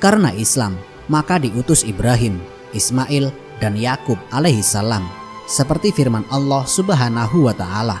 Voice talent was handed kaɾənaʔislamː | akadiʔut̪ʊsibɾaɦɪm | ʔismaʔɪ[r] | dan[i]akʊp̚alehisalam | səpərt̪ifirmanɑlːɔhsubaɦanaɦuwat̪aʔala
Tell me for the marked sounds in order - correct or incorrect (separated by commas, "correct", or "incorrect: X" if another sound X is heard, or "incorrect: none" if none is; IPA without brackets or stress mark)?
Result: incorrect: l, incorrect: j